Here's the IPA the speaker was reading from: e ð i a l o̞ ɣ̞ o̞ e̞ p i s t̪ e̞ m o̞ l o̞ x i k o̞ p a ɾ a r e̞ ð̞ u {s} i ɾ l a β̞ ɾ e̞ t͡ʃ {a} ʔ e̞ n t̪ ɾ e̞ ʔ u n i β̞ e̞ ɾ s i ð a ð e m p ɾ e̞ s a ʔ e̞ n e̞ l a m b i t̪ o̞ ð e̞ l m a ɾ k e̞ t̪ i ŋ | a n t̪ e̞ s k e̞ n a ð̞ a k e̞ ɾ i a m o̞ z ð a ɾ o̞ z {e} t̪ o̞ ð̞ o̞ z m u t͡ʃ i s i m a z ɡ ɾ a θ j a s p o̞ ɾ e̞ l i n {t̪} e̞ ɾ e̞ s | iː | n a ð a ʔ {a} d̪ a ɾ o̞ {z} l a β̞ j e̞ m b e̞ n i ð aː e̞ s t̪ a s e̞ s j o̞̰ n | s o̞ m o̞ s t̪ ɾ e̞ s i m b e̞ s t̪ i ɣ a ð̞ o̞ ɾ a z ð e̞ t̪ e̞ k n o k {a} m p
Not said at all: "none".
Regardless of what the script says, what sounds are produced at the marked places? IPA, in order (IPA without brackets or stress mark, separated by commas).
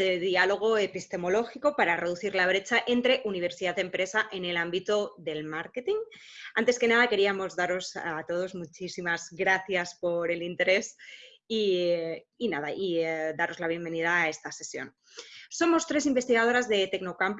θ, a, a, t̪, i, z, a